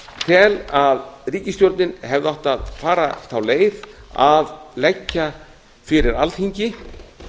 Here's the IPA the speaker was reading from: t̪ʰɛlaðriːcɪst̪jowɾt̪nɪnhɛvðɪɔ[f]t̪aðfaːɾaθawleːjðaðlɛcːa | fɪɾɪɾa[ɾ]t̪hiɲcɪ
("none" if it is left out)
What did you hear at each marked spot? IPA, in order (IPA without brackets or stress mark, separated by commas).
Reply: h, l